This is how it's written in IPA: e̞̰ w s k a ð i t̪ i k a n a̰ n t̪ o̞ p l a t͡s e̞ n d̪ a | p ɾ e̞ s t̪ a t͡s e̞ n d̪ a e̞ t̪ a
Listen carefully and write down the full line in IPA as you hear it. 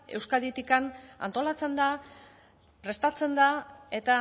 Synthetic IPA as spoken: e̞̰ w s k a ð i t̪ i k a n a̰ n t̪ o̞ l a t͡s e̞ n d̪ a | p ɾ e̞ s t̪ a t͡s e̞ n d̪ a e̞ t̪ a